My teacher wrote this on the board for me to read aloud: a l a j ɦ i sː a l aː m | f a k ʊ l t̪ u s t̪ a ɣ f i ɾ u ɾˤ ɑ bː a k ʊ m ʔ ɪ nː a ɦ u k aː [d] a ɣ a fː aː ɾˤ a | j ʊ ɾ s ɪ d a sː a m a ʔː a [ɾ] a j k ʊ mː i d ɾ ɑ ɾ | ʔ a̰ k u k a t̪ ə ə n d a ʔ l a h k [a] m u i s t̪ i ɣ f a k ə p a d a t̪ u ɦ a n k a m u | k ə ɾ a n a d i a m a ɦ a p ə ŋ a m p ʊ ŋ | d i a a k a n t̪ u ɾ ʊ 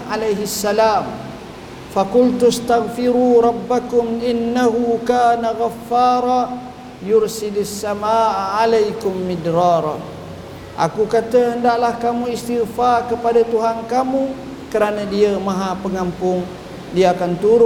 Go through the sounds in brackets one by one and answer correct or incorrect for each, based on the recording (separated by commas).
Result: incorrect, incorrect, correct